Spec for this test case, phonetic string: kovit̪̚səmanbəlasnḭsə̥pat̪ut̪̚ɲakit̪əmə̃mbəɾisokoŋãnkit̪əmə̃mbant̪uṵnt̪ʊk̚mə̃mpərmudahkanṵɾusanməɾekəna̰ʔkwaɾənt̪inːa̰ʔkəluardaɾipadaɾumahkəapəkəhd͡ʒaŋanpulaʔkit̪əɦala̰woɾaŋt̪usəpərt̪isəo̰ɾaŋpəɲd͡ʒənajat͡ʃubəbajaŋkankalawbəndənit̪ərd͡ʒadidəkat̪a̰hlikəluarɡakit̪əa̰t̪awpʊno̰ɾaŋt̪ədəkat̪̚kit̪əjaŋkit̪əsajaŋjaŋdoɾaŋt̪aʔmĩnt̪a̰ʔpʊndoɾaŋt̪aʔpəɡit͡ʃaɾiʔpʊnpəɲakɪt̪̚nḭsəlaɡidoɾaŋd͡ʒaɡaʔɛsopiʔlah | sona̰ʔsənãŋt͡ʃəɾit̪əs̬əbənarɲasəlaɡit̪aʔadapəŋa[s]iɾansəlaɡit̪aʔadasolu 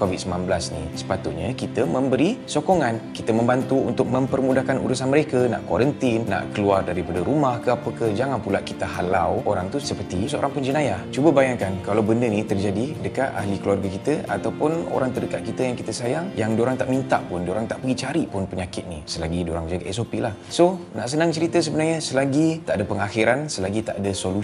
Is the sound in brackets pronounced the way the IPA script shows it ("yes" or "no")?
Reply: no